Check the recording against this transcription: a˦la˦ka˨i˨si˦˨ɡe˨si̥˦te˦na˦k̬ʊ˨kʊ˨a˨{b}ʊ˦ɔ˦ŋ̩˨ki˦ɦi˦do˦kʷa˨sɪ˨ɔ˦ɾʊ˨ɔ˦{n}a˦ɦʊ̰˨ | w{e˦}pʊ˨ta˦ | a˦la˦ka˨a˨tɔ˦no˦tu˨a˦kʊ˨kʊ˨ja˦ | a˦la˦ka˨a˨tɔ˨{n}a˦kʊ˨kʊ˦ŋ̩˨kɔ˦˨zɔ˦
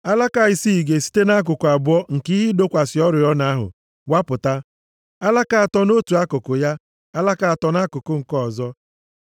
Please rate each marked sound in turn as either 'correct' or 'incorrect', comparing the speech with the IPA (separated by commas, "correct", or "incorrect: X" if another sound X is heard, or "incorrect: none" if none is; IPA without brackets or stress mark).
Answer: correct, correct, incorrect: a˦, correct